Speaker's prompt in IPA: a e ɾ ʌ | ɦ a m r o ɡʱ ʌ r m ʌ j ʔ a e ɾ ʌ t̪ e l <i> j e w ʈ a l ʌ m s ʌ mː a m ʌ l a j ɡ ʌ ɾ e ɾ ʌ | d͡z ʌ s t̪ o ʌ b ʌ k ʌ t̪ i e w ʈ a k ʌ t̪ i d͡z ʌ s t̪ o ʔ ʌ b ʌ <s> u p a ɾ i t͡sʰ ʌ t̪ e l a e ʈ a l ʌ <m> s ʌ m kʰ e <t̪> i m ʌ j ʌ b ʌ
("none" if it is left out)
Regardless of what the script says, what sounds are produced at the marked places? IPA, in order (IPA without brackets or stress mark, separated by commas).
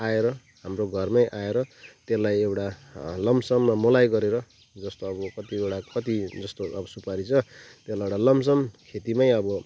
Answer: a, s, m, t̪